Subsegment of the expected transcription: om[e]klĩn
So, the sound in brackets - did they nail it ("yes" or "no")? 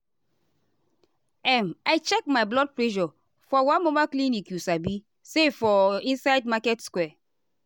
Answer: no